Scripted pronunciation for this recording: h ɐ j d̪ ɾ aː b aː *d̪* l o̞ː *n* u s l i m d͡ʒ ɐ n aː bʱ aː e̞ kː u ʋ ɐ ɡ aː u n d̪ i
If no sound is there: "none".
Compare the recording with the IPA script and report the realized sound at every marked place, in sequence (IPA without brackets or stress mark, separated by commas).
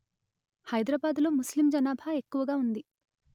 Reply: d̪, m